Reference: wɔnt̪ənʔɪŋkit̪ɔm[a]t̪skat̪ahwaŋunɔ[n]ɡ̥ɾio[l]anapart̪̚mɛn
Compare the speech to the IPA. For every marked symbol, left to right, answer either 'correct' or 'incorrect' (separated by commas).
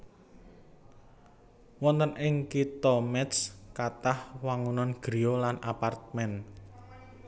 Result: incorrect, correct, correct